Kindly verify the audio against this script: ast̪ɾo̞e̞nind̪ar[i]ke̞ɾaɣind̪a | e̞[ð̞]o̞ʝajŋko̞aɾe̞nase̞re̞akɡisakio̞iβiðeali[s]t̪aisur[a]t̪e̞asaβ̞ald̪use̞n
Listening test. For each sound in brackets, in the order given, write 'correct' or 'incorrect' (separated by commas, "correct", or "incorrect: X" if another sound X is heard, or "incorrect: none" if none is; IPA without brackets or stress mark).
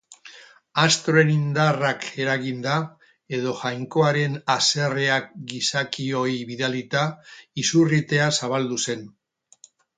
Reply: incorrect: a, correct, incorrect: none, incorrect: i